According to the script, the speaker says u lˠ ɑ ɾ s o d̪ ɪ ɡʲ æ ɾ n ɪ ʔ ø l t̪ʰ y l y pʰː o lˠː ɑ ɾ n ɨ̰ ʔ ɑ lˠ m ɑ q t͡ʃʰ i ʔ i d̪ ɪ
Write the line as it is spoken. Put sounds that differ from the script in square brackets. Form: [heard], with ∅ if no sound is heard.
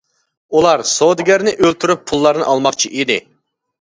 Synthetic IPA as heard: u lˠ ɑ ɾ s o d̪ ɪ ɡʲ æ ɾ n ɪ ʔ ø l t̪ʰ y [ɾ] y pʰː [u] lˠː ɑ ɾ n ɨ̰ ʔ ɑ lˠ m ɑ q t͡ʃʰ i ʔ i d̪ ɪ

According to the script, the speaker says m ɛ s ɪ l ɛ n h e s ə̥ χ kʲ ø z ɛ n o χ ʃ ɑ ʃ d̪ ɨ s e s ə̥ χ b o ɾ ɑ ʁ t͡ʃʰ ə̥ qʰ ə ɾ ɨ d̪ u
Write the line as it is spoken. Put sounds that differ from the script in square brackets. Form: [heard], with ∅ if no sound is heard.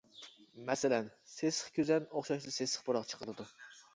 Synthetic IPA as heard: m ɛ s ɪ l ɛ n [s] e s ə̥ χ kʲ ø z ɛ n o χ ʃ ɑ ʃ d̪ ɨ s e s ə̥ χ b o ɾ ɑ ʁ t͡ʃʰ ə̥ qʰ ə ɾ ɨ d̪ u

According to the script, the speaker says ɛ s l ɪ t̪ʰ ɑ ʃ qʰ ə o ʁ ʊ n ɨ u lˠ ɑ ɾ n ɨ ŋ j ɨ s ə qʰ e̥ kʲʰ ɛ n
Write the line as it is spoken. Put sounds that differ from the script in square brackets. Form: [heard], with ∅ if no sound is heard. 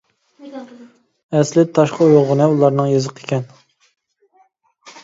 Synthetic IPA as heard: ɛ s l ɪ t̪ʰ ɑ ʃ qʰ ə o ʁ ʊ n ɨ u lˠ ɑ ɾ n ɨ ŋ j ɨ [z] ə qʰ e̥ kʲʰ ɛ n

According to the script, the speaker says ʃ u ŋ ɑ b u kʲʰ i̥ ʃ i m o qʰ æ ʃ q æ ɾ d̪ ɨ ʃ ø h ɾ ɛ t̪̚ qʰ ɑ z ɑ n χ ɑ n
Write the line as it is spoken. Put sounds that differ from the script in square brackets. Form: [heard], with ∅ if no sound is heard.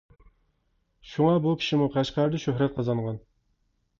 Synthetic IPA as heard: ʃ u ŋ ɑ b u kʲʰ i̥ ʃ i m [u] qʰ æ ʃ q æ ɾ d̪ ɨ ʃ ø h ɾ ɛ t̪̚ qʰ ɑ z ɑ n [ʁ] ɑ n

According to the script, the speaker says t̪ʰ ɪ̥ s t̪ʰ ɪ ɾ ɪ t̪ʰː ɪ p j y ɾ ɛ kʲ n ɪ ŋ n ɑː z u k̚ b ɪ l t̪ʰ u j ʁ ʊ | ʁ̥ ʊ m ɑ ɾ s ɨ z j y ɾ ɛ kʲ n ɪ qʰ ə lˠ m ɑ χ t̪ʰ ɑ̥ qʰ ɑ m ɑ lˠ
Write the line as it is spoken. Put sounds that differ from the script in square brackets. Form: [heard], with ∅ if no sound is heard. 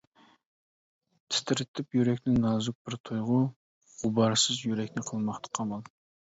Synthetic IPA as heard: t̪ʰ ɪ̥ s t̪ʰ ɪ ɾ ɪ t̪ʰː ɪ p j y ɾ ɛ kʲ n ɪ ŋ n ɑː z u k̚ b ɪ [ɾ] t̪ʰ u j ʁ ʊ | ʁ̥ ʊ [b] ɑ ɾ s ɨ z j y ɾ ɛ kʲ n ɪ qʰ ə lˠ m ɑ χ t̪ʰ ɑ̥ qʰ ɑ m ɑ lˠ

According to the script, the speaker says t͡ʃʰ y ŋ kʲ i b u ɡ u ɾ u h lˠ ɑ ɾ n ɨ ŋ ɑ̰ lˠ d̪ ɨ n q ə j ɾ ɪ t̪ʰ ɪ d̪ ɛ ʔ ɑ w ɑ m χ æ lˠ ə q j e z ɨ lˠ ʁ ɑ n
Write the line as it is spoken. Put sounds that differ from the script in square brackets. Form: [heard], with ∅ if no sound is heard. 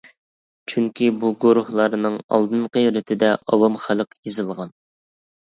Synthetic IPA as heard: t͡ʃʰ y ŋ kʲ i b u ɡ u ɾ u h lˠ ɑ ɾ n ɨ ŋ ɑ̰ lˠ d̪ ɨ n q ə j ɾ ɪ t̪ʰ ɪ d̪ ɛ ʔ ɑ w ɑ m χ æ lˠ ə q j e z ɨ lˠ ʁ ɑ n

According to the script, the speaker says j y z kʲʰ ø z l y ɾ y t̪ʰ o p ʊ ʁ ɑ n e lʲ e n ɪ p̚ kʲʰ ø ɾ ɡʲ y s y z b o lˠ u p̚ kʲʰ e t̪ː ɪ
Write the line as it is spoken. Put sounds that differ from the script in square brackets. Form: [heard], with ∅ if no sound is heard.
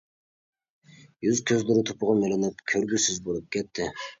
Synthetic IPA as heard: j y z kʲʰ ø z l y ɾ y t̪ʰ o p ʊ ʁ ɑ [m] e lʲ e n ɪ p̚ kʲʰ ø ɾ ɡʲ y s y z b o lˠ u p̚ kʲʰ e t̪ː ɪ

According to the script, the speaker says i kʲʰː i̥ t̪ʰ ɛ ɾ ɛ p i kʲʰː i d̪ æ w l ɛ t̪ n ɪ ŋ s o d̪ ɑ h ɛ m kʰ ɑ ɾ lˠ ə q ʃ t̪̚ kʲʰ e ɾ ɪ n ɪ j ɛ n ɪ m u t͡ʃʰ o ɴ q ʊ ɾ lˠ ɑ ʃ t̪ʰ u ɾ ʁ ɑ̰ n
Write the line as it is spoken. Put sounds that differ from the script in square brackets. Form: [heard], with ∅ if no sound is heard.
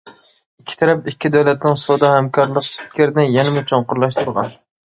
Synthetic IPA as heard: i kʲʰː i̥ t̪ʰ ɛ ɾ ɛ p i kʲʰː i d̪ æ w l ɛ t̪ n ɪ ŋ s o d̪ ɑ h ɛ m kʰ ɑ ɾ lˠ ə q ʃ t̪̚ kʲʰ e ɾ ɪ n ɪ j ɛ n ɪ m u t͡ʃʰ o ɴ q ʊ ɾ lˠ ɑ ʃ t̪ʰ u ɾ ʁ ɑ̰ n

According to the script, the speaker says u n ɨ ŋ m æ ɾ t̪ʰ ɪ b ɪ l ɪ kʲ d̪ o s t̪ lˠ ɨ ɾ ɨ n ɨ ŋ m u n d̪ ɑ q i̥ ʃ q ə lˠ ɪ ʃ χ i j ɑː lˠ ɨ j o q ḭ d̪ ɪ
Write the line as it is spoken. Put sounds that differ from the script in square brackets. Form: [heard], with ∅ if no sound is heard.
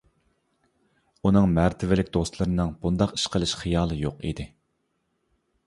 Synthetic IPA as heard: u n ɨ ŋ m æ ɾ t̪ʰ ɪ [v] ɪ l ɪ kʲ d̪ o s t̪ lˠ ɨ ɾ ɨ n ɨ ŋ [b] u n d̪ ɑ q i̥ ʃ q ə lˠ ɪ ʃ χ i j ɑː lˠ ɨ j o q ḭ d̪ ɪ

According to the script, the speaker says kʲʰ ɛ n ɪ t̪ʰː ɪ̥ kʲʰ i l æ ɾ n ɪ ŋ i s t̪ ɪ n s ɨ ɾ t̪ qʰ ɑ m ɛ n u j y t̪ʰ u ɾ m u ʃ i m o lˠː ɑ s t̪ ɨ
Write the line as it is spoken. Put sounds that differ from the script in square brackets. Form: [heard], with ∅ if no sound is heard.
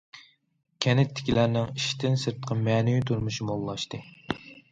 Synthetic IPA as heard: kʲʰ ɛ n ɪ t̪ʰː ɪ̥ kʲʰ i l æ ɾ n ɪ ŋ i [ʃ] t̪ ɪ n s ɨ ɾ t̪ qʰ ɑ m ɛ n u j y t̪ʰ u ɾ m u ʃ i m o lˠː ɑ [ʃ] t̪ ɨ

